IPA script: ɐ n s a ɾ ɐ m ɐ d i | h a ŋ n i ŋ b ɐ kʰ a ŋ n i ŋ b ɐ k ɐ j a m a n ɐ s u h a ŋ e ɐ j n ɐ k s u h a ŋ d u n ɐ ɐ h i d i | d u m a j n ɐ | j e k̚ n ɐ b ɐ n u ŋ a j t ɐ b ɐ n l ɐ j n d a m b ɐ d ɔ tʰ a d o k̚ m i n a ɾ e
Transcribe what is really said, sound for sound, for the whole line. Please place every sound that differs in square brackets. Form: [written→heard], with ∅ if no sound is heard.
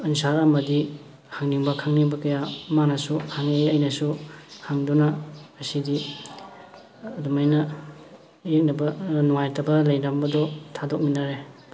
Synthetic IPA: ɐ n s a ɾ ɐ m ɐ d i | h a ŋ n i ŋ b ɐ kʰ a ŋ n i ŋ b ɐ k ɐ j a m a n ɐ s u h a ŋ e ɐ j n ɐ [k→∅] s u h a ŋ d u n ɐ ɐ [h→s] i d i | d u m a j n ɐ | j e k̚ n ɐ b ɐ n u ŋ a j t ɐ b ɐ [n→∅] l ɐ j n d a m b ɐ d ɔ tʰ a d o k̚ m i n a ɾ e